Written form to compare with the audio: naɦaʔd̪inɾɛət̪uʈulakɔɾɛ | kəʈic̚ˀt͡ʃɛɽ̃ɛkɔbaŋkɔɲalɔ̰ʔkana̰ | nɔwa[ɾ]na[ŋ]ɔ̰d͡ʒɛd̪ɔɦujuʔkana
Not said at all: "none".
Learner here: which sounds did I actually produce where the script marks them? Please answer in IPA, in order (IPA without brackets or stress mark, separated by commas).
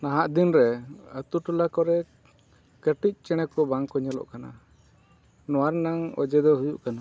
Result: ɾ, ŋ